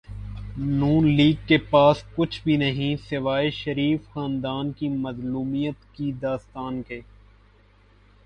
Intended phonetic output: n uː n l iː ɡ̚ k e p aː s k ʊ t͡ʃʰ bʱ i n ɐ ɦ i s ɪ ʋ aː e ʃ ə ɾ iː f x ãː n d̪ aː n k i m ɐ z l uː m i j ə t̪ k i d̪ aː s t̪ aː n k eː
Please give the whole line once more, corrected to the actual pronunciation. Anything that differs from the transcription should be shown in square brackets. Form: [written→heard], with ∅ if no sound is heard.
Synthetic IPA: n uː n l iː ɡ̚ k e p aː s k ʊ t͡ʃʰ bʱ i n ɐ ɦ [i→ĩ] s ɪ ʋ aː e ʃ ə ɾ iː f x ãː n d̪ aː n k i m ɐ z l uː m i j ə t̪ k i d̪ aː s t̪ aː n k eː